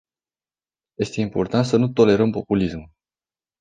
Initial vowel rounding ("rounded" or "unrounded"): unrounded